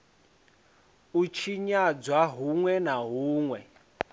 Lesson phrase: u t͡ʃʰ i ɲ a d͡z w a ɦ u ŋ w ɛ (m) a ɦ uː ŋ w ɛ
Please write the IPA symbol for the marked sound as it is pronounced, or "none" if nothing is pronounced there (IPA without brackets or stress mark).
n